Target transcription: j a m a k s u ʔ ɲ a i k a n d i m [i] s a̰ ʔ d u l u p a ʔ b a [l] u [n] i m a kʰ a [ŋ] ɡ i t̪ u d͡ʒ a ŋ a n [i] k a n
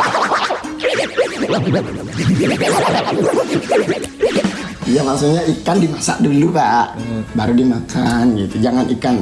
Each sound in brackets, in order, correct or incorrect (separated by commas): incorrect, incorrect, incorrect, incorrect, correct